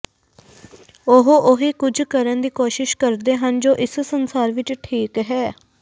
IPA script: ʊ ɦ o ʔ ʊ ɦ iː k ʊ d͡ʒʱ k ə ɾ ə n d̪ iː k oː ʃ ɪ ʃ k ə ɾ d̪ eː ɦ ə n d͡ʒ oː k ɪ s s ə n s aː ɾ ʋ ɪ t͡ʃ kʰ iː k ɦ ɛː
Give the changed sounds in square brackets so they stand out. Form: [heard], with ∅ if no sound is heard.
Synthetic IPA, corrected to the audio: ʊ ɦ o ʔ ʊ ɦ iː k ʊ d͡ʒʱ k ə ɾ ə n d̪ iː k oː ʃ ɪ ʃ k ə ɾ d̪ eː ɦ ə n d͡ʒ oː [ʔ] ɪ s s ə n s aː ɾ ʋ ɪ t͡ʃ [ʈʰ] iː k ɦ ɛː

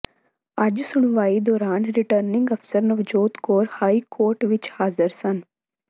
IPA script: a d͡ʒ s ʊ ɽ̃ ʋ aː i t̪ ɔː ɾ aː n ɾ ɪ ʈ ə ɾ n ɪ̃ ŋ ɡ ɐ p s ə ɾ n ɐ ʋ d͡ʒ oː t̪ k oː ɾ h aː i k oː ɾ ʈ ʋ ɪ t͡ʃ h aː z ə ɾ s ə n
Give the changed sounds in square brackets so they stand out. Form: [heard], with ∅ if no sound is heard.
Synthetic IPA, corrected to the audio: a d͡ʒ s ʊ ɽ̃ ʋ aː i [d̪] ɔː ɾ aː n ɾ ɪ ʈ ə ɾ n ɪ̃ ŋ ɡ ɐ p s ə ɾ n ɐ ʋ d͡ʒ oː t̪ k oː ɾ h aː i k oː ɾ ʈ ʋ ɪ t͡ʃ h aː z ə ɾ s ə n

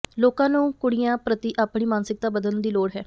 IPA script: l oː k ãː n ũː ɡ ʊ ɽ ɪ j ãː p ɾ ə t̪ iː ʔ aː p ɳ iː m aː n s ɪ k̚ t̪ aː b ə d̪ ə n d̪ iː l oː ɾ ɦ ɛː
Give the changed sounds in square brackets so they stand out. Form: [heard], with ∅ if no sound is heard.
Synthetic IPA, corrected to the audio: l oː k ãː n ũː [k] ʊ ɽ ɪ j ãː p ɾ ə t̪ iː ʔ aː p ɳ iː m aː n s ɪ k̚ t̪ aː b ə d̪ ə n d̪ iː l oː [ɽ] ɦ ɛː

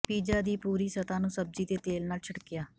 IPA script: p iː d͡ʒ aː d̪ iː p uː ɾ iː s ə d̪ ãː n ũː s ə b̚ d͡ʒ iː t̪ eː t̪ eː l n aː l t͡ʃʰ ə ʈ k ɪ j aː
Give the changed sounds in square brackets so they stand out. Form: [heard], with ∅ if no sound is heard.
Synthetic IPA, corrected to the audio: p iː d͡ʒ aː d̪ iː p uː ɾ iː s ə [t̪] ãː n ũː s ə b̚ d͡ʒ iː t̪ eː t̪ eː l n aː l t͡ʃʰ ə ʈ k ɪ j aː

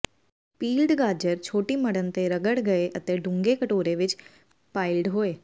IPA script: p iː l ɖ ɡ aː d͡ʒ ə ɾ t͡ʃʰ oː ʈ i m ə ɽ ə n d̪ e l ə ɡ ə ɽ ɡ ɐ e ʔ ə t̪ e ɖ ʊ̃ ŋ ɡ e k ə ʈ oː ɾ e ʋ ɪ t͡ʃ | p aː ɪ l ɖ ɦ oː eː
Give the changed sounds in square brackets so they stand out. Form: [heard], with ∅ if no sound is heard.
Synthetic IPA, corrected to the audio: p iː l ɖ ɡ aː d͡ʒ ə ɾ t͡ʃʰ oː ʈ i m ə ɽ ə n [t̪] e [ɾ] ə ɡ ə ɽ ɡ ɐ e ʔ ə t̪ e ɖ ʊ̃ ŋ ɡ e k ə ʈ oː ɾ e ʋ ɪ t͡ʃ | p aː ɪ l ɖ ɦ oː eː

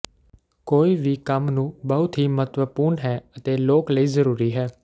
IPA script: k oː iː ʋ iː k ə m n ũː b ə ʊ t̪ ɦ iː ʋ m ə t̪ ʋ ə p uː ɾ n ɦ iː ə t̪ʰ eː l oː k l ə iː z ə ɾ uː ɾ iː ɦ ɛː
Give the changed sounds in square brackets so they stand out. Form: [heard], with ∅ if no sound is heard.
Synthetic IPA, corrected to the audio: k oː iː ʋ iː k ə m n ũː b ə ʊ t̪ ɦ iː [∅] m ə t̪ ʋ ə p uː ɾ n ɦ [ɛː] ə [t̪] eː l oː k l ə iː z ə ɾ uː ɾ iː ɦ ɛː

